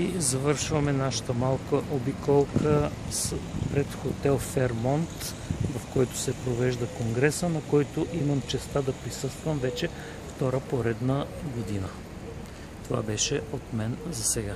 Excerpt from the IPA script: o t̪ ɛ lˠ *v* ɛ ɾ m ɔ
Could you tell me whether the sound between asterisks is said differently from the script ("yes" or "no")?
yes